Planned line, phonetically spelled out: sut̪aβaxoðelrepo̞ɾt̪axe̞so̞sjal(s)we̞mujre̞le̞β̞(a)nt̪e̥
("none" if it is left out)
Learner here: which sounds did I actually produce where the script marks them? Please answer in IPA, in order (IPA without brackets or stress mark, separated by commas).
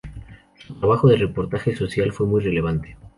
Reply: f, a